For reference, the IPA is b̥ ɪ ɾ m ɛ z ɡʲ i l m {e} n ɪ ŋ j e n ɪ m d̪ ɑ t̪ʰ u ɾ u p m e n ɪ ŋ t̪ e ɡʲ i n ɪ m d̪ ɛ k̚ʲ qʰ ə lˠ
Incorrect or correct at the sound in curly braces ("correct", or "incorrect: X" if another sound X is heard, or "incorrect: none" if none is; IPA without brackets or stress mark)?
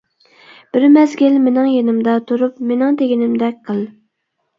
correct